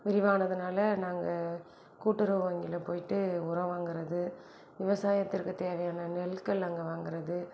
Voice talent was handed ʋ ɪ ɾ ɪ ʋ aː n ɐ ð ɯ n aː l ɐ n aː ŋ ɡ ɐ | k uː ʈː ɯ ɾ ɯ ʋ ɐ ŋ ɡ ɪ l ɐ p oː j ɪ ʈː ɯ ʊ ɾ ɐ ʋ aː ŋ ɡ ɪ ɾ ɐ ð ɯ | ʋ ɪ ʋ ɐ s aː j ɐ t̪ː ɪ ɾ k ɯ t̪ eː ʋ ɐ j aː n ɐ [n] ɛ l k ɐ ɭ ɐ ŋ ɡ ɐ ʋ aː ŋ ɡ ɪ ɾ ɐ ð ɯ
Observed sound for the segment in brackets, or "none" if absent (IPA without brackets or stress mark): n